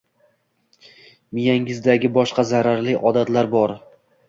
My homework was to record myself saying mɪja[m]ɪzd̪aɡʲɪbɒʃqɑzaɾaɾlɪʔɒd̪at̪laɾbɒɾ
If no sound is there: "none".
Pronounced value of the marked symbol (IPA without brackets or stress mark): ŋ